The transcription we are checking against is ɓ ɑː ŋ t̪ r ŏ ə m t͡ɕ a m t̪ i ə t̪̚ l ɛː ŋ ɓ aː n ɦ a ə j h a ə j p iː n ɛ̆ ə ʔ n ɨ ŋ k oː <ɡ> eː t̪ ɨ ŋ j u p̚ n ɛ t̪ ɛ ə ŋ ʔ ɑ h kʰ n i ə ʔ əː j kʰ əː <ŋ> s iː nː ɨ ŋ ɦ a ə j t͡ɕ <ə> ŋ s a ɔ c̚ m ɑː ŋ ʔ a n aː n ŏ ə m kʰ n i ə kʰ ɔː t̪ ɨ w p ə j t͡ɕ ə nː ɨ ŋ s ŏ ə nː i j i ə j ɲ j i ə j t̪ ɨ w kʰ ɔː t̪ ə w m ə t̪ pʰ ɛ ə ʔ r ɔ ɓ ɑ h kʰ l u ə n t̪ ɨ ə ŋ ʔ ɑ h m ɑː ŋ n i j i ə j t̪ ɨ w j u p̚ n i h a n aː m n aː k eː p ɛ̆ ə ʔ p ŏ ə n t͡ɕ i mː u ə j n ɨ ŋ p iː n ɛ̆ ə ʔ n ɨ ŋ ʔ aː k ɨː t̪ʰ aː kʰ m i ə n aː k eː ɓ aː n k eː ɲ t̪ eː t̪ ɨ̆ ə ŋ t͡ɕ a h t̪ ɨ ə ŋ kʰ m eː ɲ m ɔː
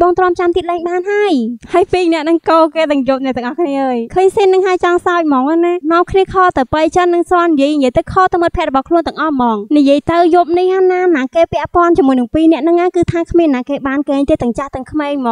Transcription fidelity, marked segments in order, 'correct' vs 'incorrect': incorrect, incorrect, incorrect

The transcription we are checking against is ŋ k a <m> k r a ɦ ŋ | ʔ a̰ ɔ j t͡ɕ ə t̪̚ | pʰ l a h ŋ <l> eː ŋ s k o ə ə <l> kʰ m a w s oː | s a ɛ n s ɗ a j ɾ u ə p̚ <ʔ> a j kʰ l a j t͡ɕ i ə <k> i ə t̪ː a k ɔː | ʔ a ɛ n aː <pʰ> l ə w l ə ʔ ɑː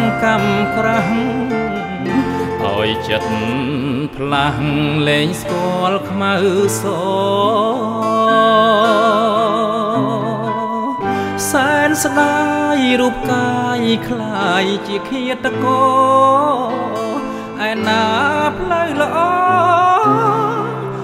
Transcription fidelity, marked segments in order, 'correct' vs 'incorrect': correct, correct, correct, incorrect, incorrect, correct

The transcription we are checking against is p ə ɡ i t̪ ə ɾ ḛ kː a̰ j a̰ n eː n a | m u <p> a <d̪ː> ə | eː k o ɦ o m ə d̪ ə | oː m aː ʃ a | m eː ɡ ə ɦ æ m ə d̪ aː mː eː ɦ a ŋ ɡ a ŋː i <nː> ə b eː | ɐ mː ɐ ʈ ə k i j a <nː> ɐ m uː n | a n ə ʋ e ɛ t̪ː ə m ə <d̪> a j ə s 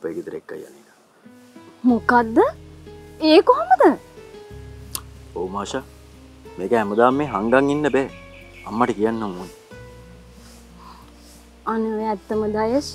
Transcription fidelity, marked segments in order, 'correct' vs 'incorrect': incorrect, correct, correct, correct, correct

